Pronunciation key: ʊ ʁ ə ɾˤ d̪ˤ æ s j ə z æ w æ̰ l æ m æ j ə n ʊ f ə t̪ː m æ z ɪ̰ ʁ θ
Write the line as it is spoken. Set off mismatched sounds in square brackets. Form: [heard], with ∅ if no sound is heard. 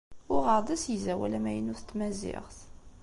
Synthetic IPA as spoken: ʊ ʁ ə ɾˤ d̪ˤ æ s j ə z æ w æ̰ l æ m æ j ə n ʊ [θ] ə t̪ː m æ z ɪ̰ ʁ θ